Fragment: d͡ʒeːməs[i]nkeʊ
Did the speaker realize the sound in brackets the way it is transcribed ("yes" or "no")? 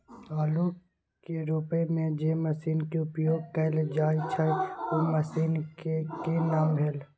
no